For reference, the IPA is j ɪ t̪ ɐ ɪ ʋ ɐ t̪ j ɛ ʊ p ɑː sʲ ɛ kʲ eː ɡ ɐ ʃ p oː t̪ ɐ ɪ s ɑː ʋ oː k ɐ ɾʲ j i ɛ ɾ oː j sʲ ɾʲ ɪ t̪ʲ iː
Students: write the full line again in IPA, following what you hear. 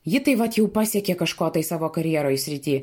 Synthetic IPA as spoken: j ɪ t̪ ɐ ɪ ʋ ɐ t̪ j ɛ ʊ p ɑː sʲ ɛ kʲ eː k ɐ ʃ k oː t̪ ɐ ɪ s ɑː ʋ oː k ɐ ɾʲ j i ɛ ɾ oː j sʲ ɾʲ ɪ t̪ʲ iː